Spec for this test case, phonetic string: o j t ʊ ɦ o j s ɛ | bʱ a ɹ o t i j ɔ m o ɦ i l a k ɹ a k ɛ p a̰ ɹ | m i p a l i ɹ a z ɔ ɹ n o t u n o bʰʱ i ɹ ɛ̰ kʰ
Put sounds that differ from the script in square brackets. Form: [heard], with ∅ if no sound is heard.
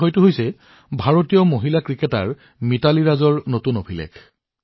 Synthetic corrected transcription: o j t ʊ ɦ o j s ɛ | bʱ a ɹ o t i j ɔ m o ɦ i l a k ɹ [i] k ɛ [t] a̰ ɹ | m i [t] a l i ɹ a z ɔ ɹ n o t u n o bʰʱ i [l] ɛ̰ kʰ